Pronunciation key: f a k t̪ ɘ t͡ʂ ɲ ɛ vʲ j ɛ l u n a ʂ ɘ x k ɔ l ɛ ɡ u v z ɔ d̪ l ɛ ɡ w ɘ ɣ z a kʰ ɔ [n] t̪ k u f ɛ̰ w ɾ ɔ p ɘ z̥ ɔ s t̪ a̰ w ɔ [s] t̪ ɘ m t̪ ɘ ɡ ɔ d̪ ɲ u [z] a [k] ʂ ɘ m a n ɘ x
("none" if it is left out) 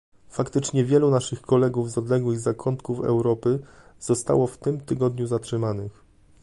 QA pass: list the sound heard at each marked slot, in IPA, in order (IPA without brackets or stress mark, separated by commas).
n, f, z, t